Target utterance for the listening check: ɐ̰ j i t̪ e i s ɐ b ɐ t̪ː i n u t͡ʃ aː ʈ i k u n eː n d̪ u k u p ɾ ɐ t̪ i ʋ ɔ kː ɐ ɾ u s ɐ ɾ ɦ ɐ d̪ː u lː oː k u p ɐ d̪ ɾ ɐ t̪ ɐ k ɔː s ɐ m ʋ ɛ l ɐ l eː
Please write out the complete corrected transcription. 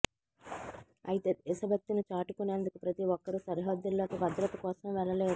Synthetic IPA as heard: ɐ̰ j i t̪ e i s ɐ b ɐ t̪ː i n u t͡ʃ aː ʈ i k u n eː n d̪ u k u p ɾ ɐ t̪ i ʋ ɔ kː ɐ ɾ u s ɐ ɾ ɦ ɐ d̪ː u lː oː k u b ɐ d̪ ɾ ɐ t̪ ɐ k ɔː s ɐ m ʋ ɛ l ɐ l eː